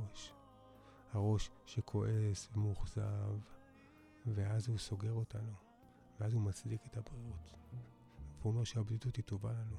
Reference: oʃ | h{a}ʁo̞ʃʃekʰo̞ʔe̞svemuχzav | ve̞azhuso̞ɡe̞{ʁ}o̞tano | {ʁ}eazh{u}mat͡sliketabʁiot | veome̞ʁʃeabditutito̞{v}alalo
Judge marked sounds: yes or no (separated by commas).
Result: yes, yes, no, yes, yes